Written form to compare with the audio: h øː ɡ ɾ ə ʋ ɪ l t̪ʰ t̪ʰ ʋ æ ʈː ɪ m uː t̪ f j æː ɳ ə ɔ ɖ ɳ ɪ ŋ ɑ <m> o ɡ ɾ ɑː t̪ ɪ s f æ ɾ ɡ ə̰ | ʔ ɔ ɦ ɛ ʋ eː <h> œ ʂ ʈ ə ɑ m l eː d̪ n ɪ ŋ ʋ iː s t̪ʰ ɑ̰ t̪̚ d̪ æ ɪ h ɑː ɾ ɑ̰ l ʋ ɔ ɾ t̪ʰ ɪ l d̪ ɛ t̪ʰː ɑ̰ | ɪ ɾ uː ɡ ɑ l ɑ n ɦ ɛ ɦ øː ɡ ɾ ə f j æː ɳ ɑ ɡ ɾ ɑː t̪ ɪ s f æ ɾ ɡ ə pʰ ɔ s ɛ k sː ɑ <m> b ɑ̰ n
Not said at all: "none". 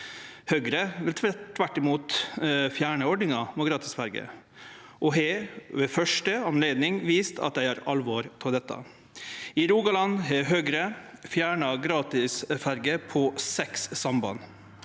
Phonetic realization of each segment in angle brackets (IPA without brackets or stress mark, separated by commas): m, f, m